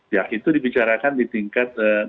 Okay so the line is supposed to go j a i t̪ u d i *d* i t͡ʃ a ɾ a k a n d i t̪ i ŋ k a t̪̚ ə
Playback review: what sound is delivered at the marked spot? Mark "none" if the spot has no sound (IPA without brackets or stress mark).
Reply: b